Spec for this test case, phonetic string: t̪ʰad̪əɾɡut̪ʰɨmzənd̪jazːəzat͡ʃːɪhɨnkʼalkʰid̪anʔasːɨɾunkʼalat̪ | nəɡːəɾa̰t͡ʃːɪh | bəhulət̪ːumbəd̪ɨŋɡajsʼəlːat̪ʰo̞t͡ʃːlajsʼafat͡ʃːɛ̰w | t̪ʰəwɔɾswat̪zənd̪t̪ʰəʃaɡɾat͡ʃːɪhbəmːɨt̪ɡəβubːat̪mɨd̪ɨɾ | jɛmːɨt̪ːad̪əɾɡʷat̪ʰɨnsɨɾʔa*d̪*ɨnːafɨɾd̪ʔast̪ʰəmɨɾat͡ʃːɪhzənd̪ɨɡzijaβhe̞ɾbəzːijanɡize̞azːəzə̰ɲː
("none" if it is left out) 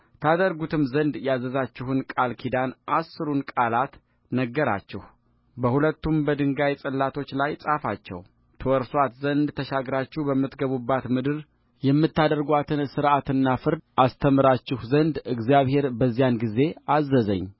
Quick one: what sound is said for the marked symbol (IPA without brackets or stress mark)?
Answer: t̪